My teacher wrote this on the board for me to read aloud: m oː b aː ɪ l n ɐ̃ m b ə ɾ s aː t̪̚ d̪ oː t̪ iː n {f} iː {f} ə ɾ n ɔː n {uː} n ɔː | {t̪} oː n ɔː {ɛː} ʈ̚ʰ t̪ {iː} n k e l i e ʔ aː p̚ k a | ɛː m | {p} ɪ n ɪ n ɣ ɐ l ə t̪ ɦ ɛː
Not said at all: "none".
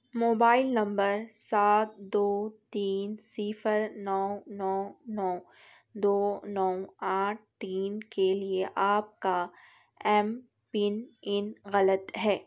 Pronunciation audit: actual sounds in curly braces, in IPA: s, f, ɔː, d̪, aː, iː, p

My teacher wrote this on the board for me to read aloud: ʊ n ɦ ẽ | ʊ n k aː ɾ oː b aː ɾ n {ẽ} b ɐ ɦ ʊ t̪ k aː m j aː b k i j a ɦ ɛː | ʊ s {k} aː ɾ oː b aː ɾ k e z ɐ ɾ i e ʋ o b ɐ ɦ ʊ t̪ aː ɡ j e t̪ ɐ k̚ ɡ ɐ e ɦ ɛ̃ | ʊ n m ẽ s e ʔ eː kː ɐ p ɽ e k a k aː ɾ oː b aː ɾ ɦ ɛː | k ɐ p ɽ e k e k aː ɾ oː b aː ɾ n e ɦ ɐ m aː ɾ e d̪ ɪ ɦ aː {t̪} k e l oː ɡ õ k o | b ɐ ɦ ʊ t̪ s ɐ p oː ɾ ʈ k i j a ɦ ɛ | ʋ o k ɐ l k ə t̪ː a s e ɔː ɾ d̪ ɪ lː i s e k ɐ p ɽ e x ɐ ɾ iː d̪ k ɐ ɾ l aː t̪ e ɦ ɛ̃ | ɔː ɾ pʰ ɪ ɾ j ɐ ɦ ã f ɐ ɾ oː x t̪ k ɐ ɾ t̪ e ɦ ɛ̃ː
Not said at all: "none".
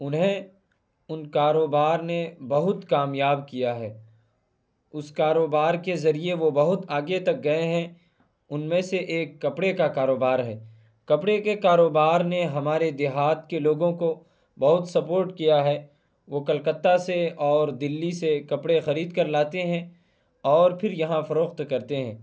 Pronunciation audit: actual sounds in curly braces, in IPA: e, k, t̪

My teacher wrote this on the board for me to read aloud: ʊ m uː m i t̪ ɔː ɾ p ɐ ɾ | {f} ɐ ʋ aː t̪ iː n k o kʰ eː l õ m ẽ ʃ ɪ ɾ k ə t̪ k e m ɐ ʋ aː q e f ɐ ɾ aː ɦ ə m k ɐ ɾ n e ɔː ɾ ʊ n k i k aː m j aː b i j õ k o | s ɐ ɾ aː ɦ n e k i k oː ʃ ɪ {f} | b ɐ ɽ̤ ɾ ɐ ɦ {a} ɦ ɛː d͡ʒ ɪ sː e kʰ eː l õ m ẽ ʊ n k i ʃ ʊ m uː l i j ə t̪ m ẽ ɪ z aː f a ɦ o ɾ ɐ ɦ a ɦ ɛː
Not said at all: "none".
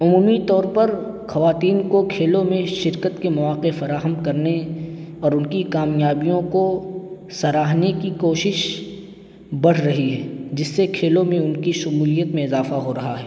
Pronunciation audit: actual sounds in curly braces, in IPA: x, ʃ, i

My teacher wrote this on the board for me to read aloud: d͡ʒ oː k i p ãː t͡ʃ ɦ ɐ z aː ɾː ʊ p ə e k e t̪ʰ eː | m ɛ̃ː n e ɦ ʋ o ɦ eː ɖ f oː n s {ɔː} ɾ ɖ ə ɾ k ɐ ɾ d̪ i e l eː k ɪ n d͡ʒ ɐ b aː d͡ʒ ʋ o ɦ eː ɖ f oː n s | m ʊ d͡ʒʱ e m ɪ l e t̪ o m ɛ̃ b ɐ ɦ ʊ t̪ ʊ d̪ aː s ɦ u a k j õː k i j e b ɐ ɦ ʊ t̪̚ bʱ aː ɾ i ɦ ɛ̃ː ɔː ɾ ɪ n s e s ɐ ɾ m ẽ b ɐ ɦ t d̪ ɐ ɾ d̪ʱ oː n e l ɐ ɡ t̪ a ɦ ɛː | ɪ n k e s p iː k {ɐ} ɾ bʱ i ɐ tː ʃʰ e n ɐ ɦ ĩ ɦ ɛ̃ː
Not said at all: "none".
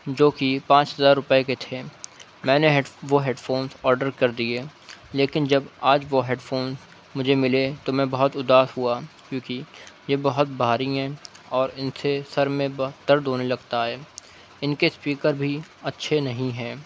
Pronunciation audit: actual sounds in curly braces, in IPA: ɔː, ə

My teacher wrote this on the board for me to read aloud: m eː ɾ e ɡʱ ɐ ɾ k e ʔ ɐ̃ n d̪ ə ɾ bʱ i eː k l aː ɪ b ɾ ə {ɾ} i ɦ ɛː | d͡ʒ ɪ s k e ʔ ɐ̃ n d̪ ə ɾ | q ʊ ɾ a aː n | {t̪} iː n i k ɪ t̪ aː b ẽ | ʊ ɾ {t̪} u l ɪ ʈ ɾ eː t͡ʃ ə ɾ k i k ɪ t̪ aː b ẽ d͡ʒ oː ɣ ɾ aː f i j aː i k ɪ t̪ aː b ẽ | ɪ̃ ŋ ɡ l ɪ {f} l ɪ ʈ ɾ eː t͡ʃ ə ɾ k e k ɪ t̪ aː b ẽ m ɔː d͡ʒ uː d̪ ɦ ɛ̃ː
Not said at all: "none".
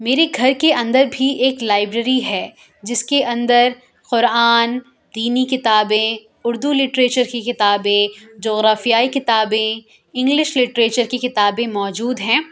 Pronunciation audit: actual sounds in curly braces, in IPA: ɾ, d̪, d̪, ʃ

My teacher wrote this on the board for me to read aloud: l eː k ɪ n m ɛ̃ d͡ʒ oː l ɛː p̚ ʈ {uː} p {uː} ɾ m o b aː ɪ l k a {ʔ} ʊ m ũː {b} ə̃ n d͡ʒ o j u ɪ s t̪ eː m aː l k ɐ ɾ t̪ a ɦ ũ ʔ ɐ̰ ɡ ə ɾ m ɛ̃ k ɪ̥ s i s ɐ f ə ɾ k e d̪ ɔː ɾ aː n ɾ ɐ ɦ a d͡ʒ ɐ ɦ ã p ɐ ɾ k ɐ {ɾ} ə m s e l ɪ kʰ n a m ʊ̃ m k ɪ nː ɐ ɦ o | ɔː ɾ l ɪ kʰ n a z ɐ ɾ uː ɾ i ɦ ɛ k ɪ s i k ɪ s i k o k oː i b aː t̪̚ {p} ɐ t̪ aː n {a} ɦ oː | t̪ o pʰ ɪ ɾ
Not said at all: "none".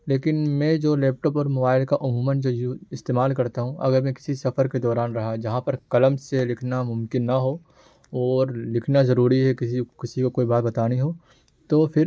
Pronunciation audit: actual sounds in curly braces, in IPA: ɔː, ɔː, ʔ, m, l, b, i

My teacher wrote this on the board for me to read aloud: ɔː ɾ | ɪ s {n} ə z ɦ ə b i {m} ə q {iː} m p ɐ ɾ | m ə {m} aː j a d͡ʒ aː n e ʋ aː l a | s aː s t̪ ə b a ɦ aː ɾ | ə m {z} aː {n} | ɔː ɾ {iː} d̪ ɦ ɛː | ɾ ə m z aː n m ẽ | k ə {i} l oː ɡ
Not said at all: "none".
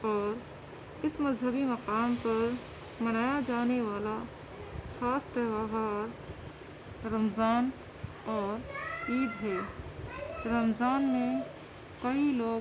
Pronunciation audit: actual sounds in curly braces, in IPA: m, m, aː, n, z, n, iː, i

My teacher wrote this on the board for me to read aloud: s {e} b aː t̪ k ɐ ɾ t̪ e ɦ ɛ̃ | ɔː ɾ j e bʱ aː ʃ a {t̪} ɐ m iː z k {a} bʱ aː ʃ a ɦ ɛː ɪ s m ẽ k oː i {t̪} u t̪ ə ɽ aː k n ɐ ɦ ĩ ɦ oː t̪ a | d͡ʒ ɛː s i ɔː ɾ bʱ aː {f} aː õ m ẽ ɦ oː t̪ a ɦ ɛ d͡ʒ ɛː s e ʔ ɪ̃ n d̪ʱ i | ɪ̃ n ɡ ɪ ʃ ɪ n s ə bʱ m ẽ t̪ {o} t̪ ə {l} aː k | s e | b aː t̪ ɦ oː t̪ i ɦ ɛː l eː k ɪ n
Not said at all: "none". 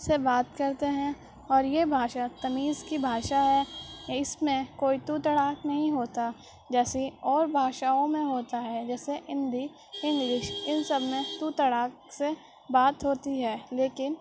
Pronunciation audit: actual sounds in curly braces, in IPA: e, t̪, i, t̪, ʃ, u, ɽ

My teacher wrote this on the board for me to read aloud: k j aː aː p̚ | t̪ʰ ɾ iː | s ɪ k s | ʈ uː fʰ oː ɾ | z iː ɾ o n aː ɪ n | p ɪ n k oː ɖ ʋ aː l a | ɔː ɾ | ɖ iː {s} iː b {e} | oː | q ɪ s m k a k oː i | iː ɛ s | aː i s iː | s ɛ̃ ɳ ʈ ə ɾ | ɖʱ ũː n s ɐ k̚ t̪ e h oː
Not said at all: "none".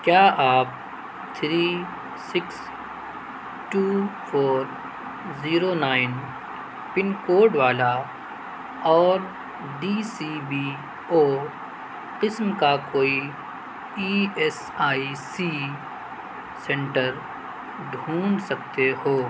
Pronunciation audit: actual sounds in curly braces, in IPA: s, i

